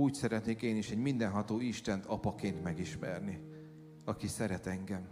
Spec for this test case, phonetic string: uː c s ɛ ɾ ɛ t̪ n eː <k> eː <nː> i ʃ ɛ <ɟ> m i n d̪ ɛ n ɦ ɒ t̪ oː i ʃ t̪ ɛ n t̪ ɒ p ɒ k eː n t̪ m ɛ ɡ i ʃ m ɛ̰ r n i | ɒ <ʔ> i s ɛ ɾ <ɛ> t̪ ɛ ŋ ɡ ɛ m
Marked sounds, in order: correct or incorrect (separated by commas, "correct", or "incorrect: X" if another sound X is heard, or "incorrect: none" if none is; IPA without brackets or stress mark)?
correct, incorrect: n, correct, incorrect: k, correct